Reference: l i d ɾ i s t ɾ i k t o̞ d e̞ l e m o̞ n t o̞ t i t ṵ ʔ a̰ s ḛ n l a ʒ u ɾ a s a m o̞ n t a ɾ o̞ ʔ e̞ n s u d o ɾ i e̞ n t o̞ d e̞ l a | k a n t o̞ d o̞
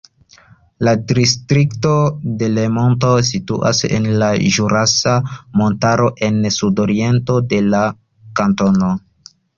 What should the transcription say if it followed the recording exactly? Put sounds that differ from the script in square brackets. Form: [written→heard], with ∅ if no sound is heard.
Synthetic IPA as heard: l [i→a] d ɾ i s t ɾ i k t o̞ d e̞ l e m o̞ n t o̞ [t→s] i t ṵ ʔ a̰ s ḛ n l a ʒ u ɾ a s a m o̞ n t a ɾ o̞ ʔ e̞ n s u d o ɾ i e̞ n t o̞ d e̞ l a | k a n t o̞ [d→n] o̞

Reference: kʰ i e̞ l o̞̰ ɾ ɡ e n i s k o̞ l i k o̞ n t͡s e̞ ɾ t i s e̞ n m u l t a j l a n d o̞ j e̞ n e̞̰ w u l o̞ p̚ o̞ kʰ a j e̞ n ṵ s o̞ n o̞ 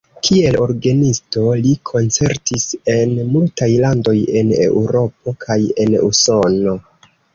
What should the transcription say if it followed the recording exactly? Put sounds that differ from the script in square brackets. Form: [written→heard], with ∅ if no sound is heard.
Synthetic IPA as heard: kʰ i e̞ l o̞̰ ɾ ɡ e n i s [k→t] o̞ l i [k→kʰ] o̞ n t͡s e̞ ɾ t i s e̞ n m u l t a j l a n d o̞ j e̞ n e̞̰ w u [l→ɾ] o̞ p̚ o̞ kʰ a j e̞ n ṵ s o̞ n o̞

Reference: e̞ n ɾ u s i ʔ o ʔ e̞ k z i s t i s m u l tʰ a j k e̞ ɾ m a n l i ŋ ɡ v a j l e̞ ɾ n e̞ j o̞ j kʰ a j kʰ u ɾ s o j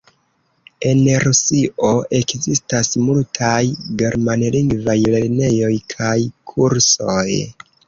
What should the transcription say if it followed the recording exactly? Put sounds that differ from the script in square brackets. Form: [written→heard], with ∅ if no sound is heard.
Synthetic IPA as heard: e̞ n ɾ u s i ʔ o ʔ e̞ k z i s t [i→a] s m u l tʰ a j [k→ɡ] e̞ ɾ m a n l i ŋ ɡ v a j l e̞ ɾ n e̞ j o̞ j kʰ a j kʰ u ɾ s o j

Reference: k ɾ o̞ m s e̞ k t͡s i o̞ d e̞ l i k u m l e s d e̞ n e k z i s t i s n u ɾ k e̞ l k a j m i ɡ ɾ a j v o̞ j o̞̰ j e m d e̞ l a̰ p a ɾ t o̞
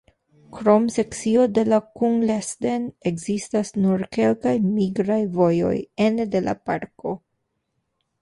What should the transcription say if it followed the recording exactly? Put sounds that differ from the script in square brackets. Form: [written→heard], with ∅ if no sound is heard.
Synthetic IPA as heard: k ɾ o̞ m s e̞ k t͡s i o̞ d e̞ l [i→a] k u [m→ŋ] l e s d e̞ n e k z i s t [i→a] s n u ɾ k e̞ l k a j m i ɡ ɾ a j v o̞ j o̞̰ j e [m→n] d e̞ l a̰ p a ɾ [t→k] o̞

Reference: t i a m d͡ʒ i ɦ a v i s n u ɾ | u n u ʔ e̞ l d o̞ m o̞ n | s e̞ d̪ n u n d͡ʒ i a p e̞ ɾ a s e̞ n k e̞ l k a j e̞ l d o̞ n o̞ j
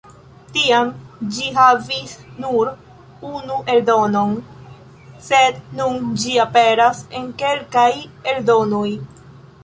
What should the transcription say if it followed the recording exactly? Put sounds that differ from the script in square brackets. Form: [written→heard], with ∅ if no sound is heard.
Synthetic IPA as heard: t i a m d͡ʒ i ɦ a v i s n u ɾ | u n u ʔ e̞ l d o̞ [m→n] o̞ n | s e̞ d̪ n u n d͡ʒ i a p e̞ ɾ a s e̞ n k e̞ l k a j e̞ l d o̞ n o̞ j

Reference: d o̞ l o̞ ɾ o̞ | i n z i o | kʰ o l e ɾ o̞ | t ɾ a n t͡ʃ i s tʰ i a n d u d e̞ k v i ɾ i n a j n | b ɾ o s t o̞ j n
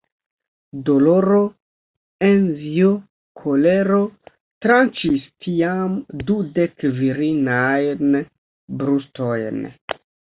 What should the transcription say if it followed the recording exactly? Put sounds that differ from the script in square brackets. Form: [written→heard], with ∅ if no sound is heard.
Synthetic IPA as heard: d o̞ l o̞ ɾ o̞ | [i→e] n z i o | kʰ o l e ɾ o̞ | t ɾ a n t͡ʃ i s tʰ i a [n→m] d u d e̞ k v i ɾ i n a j n | b ɾ [o→u] s t o̞ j n

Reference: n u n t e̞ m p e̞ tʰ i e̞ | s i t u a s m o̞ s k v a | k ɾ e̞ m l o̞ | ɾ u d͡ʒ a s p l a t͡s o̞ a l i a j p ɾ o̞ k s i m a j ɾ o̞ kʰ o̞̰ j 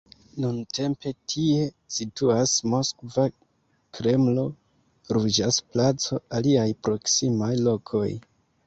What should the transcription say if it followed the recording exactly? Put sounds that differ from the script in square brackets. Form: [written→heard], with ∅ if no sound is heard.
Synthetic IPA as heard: n u n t e̞ m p e̞ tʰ i e̞ | s i t u a s m o̞ s k v a | k ɾ e̞ m l o̞ | ɾ u d͡ʒ a s p l a t͡s o̞ a l i a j p ɾ o̞ k s i m a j [ɾ→l] o̞ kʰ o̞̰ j

